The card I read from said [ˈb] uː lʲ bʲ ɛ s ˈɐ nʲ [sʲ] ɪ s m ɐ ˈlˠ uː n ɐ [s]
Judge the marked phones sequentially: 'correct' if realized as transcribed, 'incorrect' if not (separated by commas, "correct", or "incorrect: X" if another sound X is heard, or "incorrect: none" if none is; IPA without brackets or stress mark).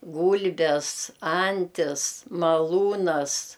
incorrect: ɡ, incorrect: tʲ, correct